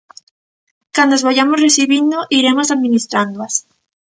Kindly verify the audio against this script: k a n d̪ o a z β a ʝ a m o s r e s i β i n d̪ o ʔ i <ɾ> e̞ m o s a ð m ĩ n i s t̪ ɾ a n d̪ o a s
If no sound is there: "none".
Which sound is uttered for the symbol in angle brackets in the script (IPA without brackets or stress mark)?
ɾ